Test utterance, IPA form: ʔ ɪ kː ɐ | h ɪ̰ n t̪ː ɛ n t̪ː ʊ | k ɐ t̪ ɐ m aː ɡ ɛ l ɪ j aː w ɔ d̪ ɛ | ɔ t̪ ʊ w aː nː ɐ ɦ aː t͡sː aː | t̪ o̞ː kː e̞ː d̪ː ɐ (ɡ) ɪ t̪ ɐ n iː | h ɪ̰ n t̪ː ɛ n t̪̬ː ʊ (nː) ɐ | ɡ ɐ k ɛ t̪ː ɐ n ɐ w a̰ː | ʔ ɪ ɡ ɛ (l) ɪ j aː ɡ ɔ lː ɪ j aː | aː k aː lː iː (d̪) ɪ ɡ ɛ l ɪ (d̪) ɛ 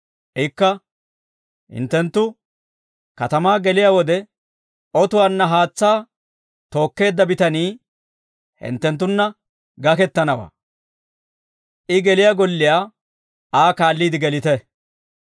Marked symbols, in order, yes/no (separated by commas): no, yes, yes, yes, no